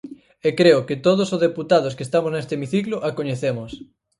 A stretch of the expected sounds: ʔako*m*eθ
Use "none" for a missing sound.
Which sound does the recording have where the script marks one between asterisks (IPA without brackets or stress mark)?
ɲ